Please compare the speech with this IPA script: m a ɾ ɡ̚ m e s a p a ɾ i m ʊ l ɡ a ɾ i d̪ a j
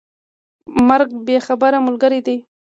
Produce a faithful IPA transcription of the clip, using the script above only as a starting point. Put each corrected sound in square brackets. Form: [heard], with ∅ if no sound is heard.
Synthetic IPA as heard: m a ɾ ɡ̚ [b] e [x] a [b] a ɾ [a] m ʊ l ɡ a ɾ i d̪ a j